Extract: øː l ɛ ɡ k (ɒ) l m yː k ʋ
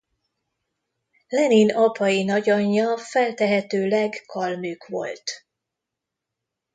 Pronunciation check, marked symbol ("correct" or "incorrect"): correct